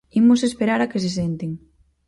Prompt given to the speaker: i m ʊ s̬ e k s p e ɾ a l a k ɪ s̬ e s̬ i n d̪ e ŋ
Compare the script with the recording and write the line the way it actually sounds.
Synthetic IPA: i m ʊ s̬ e s p e ɾ a ɾ a k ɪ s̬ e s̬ e n t̪ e ŋ